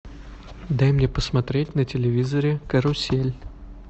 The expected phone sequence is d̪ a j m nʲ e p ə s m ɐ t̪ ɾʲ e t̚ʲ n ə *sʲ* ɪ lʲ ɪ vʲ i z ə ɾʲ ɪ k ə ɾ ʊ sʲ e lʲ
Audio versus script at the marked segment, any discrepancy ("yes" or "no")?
yes